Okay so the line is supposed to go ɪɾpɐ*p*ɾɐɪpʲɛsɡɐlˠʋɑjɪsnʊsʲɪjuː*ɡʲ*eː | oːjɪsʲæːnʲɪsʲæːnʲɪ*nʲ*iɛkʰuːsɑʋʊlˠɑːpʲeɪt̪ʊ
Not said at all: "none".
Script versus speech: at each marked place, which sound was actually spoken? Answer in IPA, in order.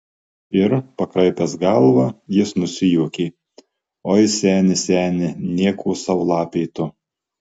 k, kʲ, nʲ

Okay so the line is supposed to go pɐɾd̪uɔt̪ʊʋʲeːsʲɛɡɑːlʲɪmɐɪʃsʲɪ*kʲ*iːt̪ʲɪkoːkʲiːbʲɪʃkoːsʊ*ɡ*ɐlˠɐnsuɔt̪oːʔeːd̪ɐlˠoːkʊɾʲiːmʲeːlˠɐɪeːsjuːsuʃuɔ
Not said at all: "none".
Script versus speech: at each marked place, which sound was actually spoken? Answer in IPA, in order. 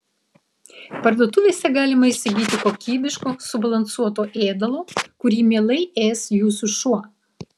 ɡʲ, b

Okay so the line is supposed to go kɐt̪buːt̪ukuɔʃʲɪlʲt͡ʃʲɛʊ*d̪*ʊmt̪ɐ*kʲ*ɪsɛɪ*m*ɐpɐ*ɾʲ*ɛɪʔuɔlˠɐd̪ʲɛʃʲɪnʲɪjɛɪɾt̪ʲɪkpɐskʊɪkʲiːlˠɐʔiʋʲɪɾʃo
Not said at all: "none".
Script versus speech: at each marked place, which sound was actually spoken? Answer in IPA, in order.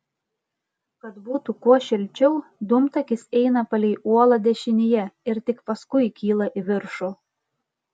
d̪, kʲ, n, lʲ

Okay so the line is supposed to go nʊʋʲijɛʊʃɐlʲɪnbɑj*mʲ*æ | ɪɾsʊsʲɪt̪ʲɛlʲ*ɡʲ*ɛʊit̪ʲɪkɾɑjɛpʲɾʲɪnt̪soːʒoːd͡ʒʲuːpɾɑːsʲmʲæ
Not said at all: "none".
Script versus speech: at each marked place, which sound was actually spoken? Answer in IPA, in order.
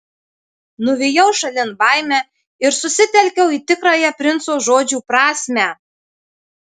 mʲ, kʲ

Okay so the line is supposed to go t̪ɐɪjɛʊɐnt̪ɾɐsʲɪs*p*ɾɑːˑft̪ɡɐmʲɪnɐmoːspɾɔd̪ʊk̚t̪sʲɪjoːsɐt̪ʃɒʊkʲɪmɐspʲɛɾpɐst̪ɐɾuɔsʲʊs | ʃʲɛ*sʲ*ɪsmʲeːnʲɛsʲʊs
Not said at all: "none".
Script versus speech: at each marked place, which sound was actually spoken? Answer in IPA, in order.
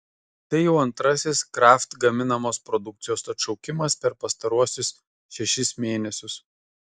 k, ʃʲ

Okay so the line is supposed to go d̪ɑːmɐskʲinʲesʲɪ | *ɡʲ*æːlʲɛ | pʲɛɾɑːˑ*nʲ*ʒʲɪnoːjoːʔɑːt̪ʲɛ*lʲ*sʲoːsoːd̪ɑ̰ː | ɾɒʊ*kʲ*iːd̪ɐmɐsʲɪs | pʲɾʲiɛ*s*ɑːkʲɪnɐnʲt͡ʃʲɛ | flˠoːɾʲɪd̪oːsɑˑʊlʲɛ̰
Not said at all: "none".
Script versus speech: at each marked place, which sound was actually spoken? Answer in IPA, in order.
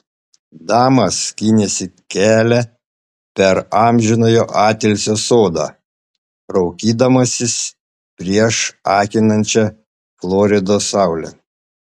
kʲ, mʲ, lʲ, kʲ, ʃ

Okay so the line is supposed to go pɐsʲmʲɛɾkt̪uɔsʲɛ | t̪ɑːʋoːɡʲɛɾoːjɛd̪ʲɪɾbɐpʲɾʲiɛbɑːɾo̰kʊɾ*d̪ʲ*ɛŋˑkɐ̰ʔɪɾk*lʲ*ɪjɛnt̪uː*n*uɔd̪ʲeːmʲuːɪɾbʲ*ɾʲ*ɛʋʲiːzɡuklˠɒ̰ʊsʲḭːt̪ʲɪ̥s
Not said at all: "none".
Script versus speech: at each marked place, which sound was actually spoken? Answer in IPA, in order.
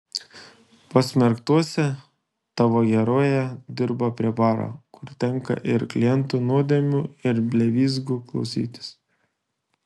t̪ʲ, lʲ, n, lʲ

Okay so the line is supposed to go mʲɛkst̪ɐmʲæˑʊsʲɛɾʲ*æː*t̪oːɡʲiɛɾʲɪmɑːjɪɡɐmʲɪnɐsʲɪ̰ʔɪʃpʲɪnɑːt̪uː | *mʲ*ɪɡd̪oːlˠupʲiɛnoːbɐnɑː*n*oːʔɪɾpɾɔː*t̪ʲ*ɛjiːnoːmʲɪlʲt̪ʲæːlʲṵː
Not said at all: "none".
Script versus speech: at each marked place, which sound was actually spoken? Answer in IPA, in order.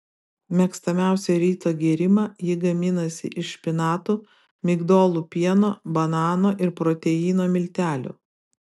iː, mʲ, n, t̪ʲ

